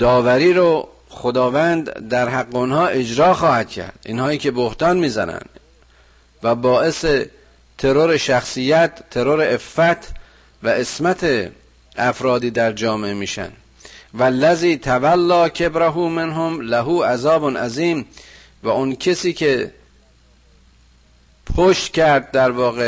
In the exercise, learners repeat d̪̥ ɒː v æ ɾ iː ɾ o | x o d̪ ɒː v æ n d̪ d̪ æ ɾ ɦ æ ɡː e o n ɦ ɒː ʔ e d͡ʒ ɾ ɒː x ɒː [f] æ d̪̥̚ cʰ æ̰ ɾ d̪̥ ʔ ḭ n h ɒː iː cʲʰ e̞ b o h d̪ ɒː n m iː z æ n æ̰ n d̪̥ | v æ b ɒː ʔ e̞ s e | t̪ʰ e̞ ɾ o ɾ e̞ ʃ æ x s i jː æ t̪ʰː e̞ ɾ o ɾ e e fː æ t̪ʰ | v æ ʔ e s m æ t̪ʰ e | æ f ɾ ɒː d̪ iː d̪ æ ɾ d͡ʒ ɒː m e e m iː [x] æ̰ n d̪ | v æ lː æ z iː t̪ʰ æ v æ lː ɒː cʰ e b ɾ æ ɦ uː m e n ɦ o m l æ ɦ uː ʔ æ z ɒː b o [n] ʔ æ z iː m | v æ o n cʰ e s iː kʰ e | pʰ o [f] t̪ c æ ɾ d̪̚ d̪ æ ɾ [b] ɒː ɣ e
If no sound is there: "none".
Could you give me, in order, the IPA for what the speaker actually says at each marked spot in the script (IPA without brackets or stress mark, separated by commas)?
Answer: h, ʃ, n, ʃ, v